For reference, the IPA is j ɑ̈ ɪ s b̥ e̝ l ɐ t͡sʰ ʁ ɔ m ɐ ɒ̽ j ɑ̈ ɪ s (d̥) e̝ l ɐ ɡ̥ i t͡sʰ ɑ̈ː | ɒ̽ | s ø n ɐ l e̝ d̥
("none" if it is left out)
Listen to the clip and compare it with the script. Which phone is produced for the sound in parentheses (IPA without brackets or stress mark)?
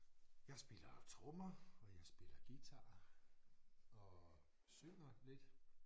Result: b̥